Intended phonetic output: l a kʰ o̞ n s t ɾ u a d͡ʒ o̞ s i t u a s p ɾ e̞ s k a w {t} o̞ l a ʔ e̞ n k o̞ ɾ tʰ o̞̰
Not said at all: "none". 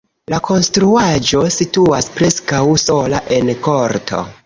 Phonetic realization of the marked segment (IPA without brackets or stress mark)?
s